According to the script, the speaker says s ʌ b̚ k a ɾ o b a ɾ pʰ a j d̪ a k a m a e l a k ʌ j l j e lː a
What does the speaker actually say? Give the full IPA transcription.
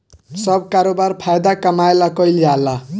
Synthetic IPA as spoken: s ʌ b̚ k a ɾ o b a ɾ pʰ a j d̪ a k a m a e l a k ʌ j l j a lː a